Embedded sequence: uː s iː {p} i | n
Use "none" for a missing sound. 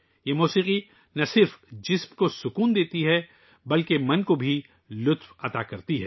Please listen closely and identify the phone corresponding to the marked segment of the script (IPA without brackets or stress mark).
q